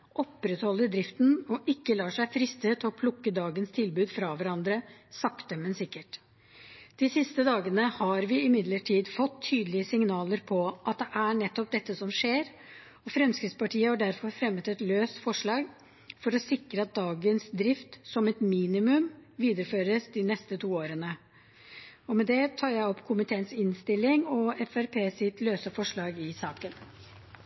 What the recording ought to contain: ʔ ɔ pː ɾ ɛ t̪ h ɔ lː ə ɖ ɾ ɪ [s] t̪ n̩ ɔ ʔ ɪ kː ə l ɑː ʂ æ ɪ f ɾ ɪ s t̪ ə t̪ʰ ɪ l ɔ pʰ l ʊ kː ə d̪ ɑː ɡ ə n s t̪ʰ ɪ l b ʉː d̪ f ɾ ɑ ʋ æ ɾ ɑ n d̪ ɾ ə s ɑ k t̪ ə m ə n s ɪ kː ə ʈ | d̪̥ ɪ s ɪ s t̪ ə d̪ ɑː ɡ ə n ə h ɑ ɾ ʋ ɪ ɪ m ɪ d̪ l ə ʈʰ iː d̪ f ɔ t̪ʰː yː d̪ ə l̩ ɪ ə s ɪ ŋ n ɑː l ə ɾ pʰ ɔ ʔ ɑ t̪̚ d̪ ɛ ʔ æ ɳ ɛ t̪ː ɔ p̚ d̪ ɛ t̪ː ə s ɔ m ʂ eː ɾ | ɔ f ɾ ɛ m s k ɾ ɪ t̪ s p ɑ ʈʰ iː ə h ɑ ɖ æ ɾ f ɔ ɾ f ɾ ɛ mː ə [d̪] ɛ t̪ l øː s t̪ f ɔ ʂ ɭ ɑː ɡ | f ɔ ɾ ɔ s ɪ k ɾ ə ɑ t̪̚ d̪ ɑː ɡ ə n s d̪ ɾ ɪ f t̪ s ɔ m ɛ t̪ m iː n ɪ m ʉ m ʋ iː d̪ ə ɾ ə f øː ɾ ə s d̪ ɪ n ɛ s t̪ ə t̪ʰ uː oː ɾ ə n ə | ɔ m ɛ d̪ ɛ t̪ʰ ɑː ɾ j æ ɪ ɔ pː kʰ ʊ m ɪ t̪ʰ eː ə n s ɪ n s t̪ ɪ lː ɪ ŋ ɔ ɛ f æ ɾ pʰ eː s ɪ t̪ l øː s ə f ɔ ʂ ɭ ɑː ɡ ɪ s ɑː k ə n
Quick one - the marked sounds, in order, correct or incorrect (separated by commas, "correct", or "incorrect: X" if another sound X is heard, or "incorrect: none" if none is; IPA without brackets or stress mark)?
incorrect: f, incorrect: t̪